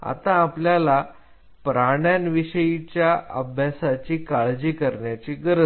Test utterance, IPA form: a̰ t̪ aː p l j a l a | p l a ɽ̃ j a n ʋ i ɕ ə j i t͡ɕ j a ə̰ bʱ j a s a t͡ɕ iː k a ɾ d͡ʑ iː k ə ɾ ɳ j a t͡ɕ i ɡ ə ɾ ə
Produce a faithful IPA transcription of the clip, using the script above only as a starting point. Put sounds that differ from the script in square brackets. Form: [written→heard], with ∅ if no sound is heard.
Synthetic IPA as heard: a̰ t̪ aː p l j a l a | p [l→ɾ] a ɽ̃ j a n ʋ i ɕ ə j i t͡ɕ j a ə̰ bʱ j a s a t͡ɕ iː k a [ɾ→ɭ] d͡ʑ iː k ə ɾ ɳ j a t͡ɕ i ɡ ə ɾ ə